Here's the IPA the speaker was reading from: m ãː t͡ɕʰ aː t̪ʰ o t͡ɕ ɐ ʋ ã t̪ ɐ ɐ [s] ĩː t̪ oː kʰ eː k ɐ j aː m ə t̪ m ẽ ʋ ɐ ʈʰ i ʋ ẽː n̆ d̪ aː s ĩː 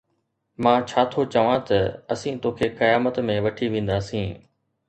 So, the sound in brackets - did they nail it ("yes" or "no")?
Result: yes